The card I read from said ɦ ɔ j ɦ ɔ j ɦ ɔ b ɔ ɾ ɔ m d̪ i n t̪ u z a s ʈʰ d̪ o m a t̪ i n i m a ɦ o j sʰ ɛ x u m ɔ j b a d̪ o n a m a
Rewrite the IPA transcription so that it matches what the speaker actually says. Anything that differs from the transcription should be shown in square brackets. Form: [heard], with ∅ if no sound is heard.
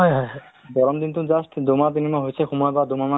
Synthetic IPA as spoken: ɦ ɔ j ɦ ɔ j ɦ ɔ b ɔ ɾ ɔ m d̪ i n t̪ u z a s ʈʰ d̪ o m a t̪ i n i m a ɦ o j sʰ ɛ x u m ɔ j b a d̪ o [m] a m a